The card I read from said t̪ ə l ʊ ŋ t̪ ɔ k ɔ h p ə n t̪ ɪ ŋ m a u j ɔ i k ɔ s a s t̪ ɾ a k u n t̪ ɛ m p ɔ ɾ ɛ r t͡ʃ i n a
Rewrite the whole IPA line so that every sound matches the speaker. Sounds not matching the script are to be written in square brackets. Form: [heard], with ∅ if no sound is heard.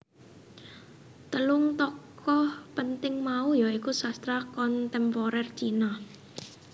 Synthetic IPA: t̪ ə l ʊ ŋ t̪ ɔ k ɔ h p ə n t̪ ɪ ŋ m a u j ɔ i k [u] s a s t̪ ɾ a k [ɔ] n t̪ ɛ m p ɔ ɾ ɛ r t͡ʃ i n a

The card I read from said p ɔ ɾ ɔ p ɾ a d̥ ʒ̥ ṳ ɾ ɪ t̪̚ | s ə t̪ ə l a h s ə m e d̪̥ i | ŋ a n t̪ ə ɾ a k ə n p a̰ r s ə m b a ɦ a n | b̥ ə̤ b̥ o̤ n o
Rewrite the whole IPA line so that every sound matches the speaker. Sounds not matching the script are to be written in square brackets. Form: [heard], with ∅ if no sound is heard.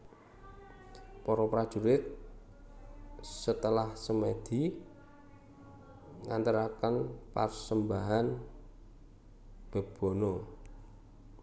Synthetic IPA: p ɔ ɾ ɔ p ɾ a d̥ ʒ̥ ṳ ɾ ɪ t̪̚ | s ə t̪ ə l a h s ə m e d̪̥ i | ŋ a n t̪ ə ɾ a k ə n p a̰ r s ə m b a ɦ a n | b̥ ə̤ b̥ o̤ n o

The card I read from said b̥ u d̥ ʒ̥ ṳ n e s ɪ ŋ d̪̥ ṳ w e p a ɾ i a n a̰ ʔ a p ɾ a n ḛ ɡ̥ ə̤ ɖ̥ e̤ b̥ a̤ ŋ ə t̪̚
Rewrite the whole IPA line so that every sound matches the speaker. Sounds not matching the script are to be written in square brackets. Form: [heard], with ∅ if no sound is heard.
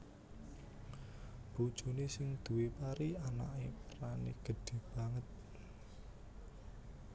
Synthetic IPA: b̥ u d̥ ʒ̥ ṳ n e s ɪ ŋ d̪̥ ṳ w e p a ɾ i a n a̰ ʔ [e] p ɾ a n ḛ ɡ̥ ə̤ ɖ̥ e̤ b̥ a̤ ŋ ə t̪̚

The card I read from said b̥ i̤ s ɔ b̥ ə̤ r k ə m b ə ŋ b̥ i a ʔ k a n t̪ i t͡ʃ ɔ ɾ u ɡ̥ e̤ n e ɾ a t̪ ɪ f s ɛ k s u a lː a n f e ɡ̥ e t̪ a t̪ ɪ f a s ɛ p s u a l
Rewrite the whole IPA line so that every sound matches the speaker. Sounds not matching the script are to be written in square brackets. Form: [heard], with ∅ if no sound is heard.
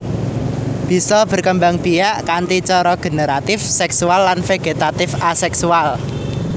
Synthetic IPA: b̥ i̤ s ɔ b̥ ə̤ r k ə m b [a] ŋ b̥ i a ʔ k a n t̪ i t͡ʃ ɔ ɾ [ɔ] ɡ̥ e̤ n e ɾ a t̪ ɪ f s ɛ k s u a lː a n f e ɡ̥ e t̪ a t̪ ɪ f a s ɛ [k] s u a l

